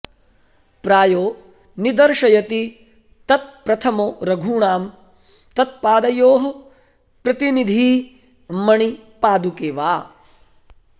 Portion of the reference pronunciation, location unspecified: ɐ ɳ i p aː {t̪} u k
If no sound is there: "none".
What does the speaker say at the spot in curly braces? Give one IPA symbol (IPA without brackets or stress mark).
d̪